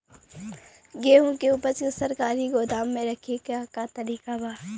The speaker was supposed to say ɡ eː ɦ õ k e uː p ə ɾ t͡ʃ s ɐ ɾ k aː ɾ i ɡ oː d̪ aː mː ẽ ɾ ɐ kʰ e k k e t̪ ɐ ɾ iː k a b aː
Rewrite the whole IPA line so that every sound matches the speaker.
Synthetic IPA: ɡ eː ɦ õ k e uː p ə ɾ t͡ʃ s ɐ ɾ k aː ɾ i ɡ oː d̪ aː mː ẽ ɾ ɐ kʰ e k k a t̪ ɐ ɾ iː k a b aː